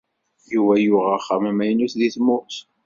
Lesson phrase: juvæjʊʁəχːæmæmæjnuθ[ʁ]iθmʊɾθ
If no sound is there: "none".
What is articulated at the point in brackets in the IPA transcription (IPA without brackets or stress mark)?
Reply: ð